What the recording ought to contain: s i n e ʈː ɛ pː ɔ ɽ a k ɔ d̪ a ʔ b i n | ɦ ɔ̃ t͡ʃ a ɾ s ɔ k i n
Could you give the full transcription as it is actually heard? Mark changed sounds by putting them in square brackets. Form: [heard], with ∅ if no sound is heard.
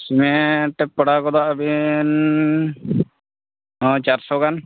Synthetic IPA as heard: s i [m] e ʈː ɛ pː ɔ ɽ a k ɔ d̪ a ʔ b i n | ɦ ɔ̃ t͡ʃ a ɾ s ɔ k [a] n